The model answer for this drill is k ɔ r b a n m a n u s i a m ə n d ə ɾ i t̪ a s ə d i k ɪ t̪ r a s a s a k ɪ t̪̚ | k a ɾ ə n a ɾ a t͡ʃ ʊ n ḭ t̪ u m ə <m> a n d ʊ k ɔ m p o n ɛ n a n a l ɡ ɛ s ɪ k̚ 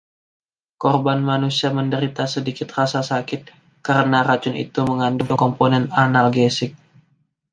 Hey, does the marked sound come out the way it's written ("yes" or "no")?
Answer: no